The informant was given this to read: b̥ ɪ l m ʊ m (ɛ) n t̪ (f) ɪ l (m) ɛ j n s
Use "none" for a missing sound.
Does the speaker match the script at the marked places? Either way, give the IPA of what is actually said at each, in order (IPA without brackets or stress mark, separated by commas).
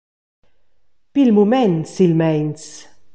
ɛ, s, m